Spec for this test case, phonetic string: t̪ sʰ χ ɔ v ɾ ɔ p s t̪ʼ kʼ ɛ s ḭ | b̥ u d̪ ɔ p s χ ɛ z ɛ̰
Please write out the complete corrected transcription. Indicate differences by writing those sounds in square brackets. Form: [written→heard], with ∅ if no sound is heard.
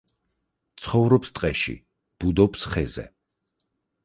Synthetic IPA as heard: t̪ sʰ χ ɔ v ɾ ɔ p s t̪ʼ [kʼ→qʼ] ɛ [s→ʃ] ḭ | b̥ u d̪ ɔ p s χ ɛ z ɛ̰